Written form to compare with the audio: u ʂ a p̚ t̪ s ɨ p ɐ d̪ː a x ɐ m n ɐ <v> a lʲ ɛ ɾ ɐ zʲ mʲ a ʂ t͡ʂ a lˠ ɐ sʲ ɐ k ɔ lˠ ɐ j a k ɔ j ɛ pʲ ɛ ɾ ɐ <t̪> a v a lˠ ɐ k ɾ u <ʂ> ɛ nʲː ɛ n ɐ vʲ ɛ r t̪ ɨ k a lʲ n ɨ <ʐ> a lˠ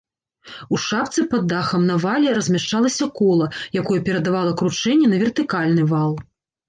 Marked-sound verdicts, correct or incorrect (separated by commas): correct, incorrect, incorrect, incorrect